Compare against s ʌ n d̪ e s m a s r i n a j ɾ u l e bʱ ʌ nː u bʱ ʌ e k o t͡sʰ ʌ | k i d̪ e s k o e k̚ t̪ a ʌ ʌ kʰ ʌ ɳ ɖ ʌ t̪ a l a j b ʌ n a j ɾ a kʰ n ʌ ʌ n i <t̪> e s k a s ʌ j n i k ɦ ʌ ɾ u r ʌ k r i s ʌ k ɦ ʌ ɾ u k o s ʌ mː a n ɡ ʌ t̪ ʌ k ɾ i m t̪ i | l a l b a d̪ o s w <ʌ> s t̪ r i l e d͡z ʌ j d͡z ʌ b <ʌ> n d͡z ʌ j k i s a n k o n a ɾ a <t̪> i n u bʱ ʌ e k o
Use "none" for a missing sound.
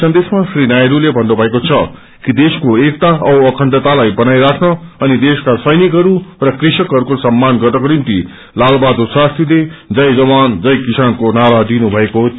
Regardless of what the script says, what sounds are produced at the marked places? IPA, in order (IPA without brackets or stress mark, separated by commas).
d̪, a, a, d̪